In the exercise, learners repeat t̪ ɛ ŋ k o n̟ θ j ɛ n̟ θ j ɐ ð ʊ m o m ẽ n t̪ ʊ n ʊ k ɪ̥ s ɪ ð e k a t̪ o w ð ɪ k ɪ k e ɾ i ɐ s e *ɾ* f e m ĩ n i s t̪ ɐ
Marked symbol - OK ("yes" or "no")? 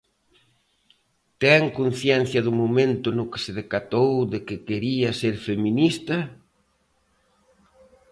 yes